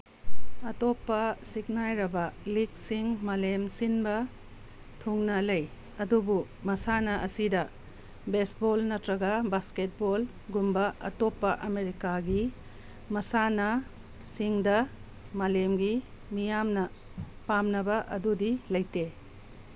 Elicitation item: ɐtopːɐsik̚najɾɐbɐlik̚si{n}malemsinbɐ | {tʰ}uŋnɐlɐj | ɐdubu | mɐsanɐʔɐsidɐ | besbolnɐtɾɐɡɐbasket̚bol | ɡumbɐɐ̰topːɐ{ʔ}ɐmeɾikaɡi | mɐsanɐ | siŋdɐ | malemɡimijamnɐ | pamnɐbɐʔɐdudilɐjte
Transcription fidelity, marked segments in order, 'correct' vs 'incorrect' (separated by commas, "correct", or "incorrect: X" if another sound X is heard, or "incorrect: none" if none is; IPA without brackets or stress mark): incorrect: ŋ, correct, correct